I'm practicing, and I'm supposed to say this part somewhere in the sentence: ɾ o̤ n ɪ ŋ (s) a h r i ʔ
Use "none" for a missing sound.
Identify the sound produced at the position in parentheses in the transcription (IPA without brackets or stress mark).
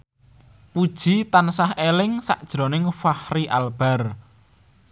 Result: f